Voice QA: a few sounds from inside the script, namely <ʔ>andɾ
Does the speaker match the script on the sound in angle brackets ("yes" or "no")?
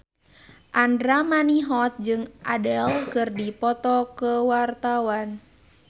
yes